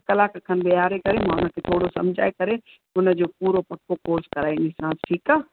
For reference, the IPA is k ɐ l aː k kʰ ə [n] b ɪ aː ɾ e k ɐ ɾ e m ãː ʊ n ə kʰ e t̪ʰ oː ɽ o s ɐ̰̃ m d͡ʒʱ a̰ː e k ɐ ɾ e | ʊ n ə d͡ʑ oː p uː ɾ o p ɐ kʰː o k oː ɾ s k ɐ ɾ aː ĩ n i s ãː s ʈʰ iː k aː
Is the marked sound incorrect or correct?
correct